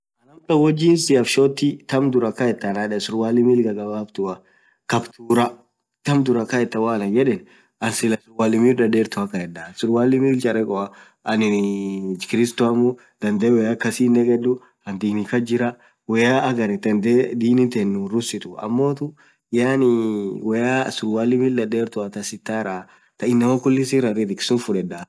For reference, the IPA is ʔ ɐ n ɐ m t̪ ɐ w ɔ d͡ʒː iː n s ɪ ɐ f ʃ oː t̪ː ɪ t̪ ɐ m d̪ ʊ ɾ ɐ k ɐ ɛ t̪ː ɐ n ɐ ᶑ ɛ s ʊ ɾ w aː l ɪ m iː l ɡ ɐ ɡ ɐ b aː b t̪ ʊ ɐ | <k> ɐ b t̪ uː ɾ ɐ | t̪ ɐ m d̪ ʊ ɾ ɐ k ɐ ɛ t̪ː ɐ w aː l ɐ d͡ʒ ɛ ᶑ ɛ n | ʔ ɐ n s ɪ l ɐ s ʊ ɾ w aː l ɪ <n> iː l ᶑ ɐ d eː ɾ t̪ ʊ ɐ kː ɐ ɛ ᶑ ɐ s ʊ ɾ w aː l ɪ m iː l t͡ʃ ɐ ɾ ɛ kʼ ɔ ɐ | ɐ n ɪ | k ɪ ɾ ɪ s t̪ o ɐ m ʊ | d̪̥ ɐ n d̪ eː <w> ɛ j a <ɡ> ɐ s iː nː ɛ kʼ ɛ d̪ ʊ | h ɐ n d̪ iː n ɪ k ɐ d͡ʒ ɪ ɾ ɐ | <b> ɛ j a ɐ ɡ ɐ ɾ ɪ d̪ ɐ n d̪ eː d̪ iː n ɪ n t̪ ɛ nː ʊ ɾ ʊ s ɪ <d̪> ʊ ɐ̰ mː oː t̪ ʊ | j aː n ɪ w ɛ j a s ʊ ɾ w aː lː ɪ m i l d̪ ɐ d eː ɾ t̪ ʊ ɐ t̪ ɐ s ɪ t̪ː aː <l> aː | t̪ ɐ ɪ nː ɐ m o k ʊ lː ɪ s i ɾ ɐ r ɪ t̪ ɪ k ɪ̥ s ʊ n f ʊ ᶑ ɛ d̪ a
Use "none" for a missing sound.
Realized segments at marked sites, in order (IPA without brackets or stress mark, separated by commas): k, m, w, k, w, t̪, ɾ